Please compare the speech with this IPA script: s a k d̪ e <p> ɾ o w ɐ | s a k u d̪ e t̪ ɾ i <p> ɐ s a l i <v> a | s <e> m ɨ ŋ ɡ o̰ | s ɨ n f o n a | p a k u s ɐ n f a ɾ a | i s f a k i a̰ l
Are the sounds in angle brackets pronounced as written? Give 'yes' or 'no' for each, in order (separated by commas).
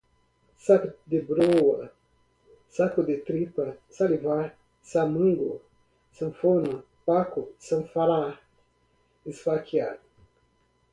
no, yes, yes, no